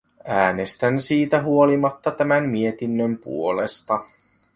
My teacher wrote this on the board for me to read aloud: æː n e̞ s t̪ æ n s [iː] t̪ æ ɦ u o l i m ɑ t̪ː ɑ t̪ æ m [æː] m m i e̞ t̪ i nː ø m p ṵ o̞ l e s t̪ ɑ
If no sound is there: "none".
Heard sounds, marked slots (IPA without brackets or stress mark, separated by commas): iː, æ